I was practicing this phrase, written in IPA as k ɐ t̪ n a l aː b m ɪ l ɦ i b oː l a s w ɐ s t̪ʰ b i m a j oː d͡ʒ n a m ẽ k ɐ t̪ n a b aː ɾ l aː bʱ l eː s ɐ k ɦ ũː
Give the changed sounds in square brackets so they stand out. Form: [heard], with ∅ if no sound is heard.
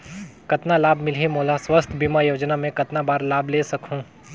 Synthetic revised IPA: k ɐ t̪ n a l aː b m ɪ l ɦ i [m] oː l a s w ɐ s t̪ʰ b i m a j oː d͡ʒ n a m ẽ k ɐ t̪ n a b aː ɾ l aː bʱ l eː s ɐ k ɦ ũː